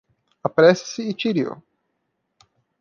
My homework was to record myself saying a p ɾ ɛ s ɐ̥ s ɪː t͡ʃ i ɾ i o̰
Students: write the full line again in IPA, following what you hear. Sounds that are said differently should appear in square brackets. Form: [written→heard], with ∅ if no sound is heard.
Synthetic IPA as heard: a p ɾ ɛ s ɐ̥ s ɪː t͡ʃ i ɾ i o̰